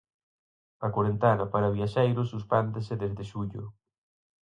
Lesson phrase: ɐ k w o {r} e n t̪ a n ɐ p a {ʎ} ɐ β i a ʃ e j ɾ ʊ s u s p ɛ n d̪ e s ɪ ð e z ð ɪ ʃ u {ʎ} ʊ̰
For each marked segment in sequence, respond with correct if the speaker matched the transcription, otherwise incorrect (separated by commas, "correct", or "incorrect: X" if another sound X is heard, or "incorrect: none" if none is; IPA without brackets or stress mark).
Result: incorrect: ɾ, incorrect: ɾ, correct